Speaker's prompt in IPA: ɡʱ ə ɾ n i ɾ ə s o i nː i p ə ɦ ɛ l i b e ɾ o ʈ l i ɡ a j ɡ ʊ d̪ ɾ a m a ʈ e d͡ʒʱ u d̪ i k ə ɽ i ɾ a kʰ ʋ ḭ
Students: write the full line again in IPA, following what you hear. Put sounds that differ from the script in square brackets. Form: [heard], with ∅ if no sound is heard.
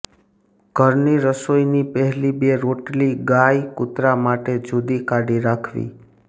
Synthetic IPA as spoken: ɡʱ ə ɾ n i ɾ ə s o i [n] i p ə ɦ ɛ l i b e ɾ o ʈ l i ɡ a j [k] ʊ [t̪] ɾ a m a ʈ e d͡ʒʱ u d̪ i k [a] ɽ i ɾ a kʰ ʋ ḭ